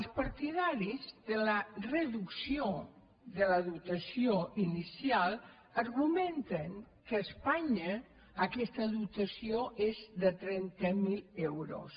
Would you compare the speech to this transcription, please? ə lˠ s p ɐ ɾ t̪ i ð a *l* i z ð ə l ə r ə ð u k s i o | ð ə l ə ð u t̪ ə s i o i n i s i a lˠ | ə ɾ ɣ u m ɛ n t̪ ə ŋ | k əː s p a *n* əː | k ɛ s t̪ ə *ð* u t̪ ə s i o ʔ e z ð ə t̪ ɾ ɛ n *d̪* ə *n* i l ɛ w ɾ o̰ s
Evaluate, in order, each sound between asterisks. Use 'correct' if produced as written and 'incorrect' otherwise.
incorrect: ɾ, incorrect: ɲ, correct, incorrect: t̪, incorrect: m

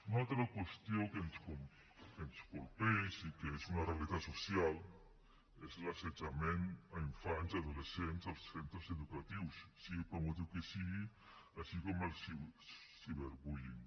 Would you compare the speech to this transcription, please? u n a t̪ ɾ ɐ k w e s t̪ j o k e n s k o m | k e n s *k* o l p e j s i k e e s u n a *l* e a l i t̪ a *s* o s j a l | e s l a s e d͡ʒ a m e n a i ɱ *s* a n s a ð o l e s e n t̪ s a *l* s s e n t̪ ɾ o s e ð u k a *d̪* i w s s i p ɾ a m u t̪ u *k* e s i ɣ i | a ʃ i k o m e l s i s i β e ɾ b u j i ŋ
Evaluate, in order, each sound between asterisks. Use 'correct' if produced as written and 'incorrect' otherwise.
correct, incorrect: r, correct, incorrect: f, correct, incorrect: t̪, correct

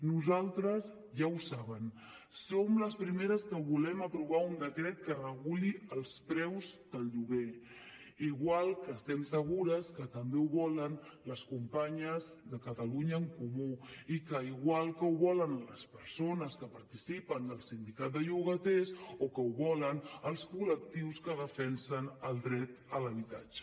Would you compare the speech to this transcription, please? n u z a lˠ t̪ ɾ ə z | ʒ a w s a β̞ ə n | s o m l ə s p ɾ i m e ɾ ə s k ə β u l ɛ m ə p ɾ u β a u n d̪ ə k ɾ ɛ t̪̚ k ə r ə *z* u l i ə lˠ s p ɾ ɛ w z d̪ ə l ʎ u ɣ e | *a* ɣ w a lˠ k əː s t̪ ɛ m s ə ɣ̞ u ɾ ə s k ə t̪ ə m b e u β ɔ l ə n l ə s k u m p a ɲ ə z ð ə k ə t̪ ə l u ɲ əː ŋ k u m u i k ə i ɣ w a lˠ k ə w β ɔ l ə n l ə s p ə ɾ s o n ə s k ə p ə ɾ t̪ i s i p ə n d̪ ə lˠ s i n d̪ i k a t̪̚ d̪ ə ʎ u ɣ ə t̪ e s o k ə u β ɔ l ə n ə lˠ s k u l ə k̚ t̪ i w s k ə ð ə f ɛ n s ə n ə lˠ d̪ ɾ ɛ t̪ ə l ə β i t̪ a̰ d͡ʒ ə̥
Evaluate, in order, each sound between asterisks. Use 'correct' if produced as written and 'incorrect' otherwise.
incorrect: ɣ, incorrect: i

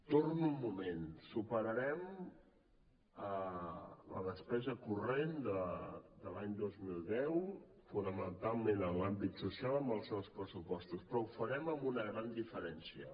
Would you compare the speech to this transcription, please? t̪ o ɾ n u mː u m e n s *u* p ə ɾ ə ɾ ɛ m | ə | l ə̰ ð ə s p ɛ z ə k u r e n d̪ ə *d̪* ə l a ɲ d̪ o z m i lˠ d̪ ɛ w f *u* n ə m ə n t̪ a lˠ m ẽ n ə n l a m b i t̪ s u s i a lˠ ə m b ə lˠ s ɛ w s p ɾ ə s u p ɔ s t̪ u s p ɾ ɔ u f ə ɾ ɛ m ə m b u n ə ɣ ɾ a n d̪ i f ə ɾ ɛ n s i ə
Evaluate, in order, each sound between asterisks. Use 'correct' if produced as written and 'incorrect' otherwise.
correct, correct, correct

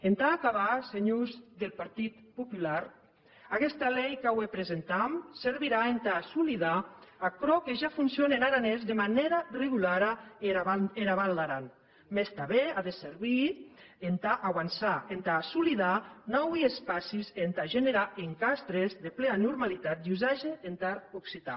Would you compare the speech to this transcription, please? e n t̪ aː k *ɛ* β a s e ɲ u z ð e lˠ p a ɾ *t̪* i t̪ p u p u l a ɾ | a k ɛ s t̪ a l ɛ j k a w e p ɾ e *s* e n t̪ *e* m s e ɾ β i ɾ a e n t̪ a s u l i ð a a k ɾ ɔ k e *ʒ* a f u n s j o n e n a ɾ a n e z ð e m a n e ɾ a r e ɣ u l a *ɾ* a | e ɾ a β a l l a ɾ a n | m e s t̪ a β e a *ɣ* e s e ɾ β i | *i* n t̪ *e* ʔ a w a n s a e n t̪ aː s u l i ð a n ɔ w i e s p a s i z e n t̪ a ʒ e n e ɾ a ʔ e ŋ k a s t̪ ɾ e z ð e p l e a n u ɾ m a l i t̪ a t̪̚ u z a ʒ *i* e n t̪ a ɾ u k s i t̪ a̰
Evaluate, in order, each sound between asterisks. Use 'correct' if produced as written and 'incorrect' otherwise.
incorrect: a, correct, incorrect: z, incorrect: a, correct, correct, incorrect: ð, incorrect: e, incorrect: a, incorrect: e

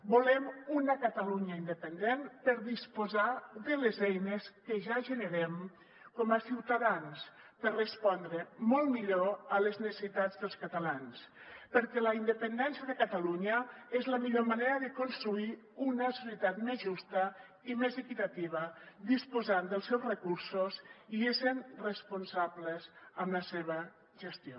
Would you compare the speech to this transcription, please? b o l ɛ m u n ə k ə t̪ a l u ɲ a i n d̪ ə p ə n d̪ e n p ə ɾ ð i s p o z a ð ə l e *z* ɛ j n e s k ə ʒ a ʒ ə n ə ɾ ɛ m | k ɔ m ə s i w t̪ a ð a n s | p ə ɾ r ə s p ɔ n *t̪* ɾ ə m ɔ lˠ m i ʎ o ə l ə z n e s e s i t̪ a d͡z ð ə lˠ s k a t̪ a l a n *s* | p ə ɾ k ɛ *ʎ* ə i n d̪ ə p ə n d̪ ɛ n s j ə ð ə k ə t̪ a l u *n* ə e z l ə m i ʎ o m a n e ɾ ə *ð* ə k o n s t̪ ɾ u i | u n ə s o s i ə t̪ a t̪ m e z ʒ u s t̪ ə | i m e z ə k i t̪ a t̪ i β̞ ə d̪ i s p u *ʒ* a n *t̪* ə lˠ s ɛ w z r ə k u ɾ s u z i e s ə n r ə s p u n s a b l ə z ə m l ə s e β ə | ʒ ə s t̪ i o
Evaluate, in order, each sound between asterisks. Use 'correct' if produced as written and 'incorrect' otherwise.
correct, incorrect: d̪, correct, incorrect: l, incorrect: ɲ, correct, incorrect: z, incorrect: d̪

